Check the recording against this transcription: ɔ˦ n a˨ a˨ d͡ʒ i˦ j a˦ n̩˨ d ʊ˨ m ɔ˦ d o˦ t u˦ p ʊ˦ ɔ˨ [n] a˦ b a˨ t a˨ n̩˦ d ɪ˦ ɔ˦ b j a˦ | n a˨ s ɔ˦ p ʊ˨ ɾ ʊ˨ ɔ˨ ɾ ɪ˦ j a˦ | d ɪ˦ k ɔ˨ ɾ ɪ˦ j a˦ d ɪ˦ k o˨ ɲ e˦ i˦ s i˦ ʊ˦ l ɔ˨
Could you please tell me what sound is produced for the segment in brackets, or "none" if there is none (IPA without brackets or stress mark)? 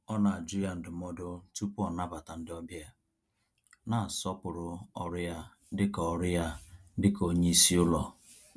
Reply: n